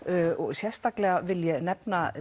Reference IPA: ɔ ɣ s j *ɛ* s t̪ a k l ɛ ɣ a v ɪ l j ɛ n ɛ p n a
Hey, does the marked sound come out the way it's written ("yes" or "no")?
yes